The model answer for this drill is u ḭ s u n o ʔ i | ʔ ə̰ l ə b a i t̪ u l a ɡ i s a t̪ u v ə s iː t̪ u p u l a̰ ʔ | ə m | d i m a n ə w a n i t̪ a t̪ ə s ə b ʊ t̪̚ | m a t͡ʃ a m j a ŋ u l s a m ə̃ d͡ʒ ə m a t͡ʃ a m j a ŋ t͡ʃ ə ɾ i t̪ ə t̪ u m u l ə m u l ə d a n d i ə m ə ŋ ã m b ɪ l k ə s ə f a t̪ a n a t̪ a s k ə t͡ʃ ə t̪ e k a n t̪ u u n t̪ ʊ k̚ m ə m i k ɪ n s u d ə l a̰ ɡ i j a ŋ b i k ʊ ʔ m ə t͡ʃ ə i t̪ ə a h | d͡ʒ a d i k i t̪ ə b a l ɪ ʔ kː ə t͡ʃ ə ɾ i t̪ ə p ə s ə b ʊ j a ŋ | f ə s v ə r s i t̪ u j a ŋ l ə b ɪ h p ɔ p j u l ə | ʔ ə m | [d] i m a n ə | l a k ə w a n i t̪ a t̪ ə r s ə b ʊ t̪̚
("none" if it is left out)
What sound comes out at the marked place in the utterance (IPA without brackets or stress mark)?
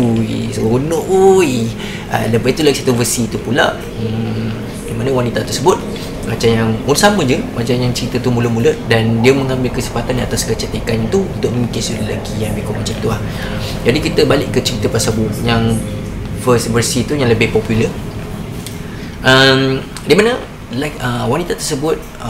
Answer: d